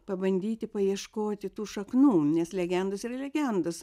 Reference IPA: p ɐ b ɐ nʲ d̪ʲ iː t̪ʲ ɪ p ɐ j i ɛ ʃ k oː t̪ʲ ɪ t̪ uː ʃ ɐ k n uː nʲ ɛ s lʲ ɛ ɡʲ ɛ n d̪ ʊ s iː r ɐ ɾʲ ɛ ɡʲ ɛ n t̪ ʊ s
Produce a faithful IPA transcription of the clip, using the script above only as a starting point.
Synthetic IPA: p ɐ b ɐ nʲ d̪ʲ iː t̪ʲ ɪ p ɐ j i ɛ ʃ k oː t̪ʲ ɪ t̪ uː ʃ ɐ k n uː nʲ ɛ s lʲ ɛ ɡʲ ɛ n d̪ ʊ s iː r ɐ lʲ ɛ ɡʲ ɛ n d̪ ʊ s